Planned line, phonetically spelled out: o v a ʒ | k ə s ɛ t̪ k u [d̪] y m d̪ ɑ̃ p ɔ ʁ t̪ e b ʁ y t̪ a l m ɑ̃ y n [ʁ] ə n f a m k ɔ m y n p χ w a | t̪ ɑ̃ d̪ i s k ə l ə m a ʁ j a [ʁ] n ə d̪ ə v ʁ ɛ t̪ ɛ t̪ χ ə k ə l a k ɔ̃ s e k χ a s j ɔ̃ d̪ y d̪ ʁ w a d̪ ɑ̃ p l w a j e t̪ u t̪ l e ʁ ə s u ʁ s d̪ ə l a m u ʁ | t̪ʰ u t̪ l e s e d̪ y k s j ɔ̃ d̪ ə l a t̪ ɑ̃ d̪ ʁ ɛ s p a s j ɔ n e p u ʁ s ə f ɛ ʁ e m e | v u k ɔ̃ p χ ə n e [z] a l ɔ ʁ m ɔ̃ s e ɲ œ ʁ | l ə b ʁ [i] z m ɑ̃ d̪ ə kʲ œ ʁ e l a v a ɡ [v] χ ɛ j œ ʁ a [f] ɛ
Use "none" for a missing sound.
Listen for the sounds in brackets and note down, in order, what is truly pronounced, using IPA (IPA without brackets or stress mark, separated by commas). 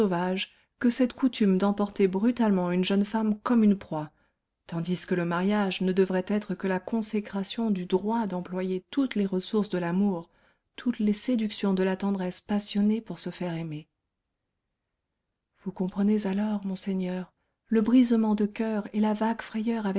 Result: t̪, ʒ, ʒ, z, i, f, v